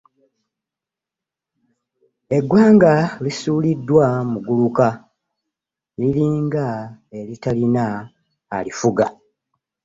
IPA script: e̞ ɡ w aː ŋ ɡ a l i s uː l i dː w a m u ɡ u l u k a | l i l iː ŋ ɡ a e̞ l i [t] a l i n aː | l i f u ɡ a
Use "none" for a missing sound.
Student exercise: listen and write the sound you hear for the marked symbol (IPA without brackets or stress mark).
t